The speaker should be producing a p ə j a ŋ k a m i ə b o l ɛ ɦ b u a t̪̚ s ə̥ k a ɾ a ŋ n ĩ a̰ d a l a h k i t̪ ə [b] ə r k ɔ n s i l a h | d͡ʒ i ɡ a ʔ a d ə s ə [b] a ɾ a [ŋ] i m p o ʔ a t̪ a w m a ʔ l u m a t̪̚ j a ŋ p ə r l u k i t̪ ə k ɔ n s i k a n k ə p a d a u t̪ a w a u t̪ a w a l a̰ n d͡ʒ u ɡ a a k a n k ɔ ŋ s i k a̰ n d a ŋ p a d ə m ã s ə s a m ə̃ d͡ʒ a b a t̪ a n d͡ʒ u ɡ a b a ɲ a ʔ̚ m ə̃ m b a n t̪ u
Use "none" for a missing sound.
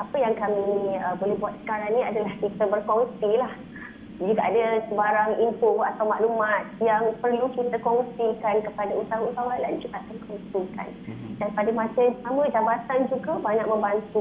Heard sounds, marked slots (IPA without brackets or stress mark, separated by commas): b, b, ŋ